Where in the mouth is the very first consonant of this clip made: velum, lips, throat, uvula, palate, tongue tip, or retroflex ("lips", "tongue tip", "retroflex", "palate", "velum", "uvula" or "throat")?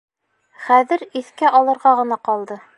uvula